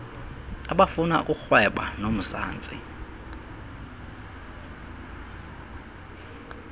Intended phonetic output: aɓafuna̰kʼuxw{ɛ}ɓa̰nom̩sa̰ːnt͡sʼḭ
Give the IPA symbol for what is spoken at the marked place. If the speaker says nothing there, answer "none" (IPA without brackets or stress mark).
ɛ